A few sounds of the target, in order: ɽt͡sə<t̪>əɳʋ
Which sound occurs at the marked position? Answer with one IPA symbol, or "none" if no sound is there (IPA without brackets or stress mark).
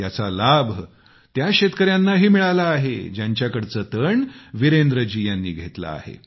t̪